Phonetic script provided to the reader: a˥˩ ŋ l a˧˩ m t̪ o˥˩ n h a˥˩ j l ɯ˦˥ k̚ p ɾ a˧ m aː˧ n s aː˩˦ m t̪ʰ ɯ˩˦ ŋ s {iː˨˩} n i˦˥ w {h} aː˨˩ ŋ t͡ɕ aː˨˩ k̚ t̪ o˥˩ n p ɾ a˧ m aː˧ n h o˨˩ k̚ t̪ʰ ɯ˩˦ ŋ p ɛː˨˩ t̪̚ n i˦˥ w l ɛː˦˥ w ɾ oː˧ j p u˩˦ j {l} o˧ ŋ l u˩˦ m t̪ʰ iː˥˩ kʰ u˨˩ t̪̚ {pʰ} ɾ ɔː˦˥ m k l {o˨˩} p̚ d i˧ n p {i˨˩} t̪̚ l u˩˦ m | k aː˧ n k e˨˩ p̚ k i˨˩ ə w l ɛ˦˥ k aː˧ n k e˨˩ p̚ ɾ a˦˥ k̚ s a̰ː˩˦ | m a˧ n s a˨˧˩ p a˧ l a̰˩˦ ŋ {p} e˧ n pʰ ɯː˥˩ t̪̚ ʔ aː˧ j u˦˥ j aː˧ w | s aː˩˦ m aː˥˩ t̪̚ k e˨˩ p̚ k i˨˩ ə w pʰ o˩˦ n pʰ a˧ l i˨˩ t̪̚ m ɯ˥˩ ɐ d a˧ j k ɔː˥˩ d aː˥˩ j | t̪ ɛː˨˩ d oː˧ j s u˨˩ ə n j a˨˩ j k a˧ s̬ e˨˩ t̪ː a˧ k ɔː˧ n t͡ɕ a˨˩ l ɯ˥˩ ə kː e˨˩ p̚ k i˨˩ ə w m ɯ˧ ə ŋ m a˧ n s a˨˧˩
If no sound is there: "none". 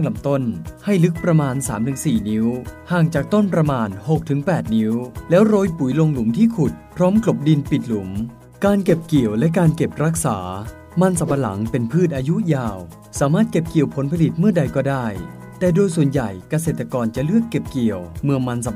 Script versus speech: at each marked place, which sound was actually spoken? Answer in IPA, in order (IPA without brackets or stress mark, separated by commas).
iː˨˩, h, l, pʰ, o˨˩, i˨˩, p